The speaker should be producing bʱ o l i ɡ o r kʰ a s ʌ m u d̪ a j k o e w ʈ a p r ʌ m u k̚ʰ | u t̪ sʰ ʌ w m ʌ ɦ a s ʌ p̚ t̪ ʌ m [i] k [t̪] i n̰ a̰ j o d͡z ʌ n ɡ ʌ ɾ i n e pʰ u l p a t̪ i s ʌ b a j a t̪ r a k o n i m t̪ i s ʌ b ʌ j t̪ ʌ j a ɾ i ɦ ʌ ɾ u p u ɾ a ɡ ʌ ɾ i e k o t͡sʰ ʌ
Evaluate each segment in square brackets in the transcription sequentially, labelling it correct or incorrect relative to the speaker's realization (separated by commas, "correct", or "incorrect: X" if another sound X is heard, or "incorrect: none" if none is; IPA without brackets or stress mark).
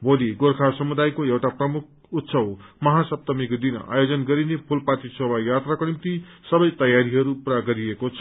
correct, incorrect: d̪